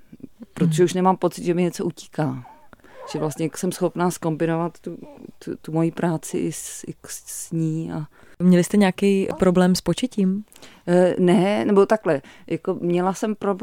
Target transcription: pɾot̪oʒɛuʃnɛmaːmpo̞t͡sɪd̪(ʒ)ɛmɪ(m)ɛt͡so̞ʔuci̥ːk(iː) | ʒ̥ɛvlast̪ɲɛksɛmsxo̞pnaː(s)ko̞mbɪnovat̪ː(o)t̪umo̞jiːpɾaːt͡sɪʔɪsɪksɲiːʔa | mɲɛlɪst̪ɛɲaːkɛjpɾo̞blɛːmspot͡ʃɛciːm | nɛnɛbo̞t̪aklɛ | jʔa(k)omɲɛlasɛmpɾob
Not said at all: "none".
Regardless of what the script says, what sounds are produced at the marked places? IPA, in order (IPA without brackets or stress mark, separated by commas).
ʒ, ɲ, aː, s, u, k